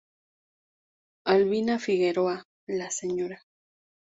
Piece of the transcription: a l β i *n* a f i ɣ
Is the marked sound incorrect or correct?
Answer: correct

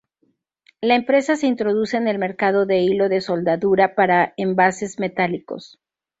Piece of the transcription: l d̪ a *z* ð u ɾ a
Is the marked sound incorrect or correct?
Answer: incorrect: none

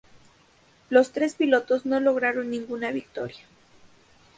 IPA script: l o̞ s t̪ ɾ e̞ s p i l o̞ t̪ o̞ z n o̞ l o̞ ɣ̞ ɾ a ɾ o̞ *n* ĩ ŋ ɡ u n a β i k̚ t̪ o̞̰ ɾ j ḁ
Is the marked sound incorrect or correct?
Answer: incorrect: nː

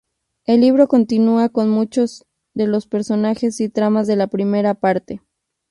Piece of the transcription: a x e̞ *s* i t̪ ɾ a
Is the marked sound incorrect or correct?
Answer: correct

